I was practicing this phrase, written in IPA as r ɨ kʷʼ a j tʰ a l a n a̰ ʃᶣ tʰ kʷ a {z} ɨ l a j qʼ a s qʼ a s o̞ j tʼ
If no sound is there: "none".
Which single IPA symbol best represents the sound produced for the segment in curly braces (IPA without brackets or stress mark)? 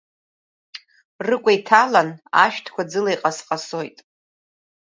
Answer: d͡z